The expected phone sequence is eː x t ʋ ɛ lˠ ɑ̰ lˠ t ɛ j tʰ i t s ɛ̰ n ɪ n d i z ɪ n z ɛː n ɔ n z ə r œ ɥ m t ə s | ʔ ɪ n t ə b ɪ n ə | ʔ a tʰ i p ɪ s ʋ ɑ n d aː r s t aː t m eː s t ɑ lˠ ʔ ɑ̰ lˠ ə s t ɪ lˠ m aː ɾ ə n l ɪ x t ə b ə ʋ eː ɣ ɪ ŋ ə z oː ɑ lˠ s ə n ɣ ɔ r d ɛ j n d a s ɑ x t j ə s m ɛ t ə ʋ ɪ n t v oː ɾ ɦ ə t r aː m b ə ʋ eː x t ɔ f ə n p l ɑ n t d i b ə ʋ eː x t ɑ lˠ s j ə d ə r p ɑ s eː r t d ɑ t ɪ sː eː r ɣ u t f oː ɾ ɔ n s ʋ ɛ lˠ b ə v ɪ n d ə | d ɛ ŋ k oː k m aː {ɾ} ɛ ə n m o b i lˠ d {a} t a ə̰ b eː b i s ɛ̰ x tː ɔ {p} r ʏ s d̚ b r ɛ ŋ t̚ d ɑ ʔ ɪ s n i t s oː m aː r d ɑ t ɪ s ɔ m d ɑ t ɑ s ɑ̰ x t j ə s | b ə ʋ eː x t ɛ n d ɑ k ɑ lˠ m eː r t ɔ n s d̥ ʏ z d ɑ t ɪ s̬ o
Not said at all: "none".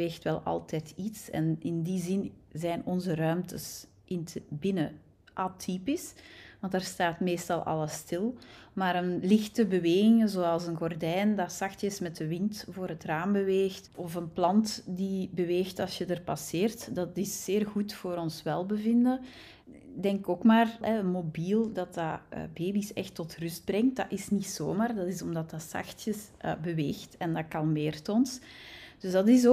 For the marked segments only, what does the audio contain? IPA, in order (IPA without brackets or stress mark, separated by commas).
r, ɑ, t